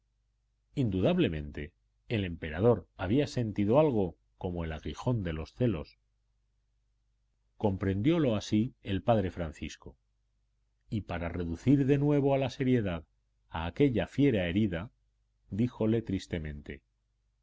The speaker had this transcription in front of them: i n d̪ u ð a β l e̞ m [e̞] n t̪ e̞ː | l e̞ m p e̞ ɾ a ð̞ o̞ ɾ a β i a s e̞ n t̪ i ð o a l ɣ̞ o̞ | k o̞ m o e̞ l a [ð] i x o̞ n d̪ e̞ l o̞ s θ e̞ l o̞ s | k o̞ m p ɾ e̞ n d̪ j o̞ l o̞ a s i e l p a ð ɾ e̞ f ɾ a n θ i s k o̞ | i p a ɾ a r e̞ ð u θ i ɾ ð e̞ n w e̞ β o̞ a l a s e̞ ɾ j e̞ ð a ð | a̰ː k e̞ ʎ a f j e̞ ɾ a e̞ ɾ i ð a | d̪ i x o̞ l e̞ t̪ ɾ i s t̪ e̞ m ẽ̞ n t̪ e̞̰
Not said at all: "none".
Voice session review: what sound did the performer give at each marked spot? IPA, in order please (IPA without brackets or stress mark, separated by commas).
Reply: ẽ̞, ɣ